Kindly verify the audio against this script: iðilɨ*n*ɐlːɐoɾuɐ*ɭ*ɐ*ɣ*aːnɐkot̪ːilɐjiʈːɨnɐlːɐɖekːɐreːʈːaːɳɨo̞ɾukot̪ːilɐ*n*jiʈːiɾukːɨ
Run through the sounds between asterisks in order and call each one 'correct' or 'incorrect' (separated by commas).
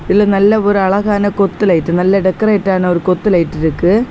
correct, correct, correct, incorrect